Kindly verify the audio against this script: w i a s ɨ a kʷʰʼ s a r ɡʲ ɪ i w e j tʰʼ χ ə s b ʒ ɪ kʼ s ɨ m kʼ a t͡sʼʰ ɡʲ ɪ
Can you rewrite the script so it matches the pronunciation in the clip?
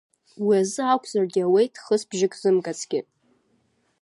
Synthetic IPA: w i a z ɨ a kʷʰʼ z a r ɡʲ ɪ a w e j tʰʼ χ ə s b ʒ ɪ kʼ z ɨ m kʼ a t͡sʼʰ ɡʲ ɪ